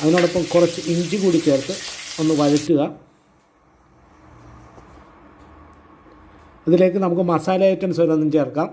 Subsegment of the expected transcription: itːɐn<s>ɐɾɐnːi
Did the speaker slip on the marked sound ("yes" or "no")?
no